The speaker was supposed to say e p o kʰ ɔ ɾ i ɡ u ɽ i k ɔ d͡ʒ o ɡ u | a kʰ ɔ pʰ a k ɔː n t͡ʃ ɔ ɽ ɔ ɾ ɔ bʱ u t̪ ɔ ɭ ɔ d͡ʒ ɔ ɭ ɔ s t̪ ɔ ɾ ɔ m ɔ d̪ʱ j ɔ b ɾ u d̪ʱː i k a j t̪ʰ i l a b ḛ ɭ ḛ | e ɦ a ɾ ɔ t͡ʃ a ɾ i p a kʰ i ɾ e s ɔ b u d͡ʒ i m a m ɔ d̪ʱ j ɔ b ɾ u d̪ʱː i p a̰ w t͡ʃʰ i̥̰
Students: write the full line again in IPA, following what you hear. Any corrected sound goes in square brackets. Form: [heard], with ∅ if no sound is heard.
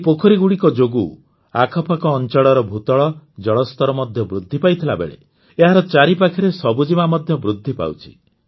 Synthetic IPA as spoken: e p o kʰ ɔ ɾ i ɡ u ɽ i k ɔ d͡ʒ o ɡ u | a kʰ ɔ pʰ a k ɔː n t͡ʃ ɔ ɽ ɔ ɾ ɔ bʱ u t̪ ɔ ɭ ɔ d͡ʒ ɔ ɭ ɔ s t̪ ɔ ɾ ɔ m ɔ d̪ʱ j ɔ b ɾ u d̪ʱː i [p] a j t̪ʰ i l a b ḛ ɭ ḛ | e ɦ a ɾ ɔ t͡ʃ a ɾ i p a kʰ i ɾ e s ɔ b u d͡ʒ i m a m ɔ d̪ʱ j ɔ b ɾ u d̪ʱː i p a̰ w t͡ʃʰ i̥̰